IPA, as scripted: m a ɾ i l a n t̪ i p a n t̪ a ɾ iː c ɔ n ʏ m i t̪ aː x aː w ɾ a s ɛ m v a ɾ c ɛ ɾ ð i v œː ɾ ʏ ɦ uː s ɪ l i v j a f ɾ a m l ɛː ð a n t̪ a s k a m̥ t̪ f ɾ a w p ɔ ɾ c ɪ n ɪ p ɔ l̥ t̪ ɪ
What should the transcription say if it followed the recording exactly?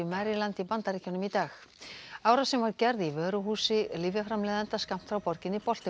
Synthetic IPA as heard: m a ɾ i l a n t̪ i p a n t̪ a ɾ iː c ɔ n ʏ m i t̪ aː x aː w ɾ a s ɛ m v a ɾ c ɛ ɾ ð i v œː ɾ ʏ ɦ uː s ɪ l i v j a f ɾ a m l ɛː ð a n t̪ a s k a m̥ t̪ f ɾ a w p ɔ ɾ c ɪ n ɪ p ɔ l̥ t̪ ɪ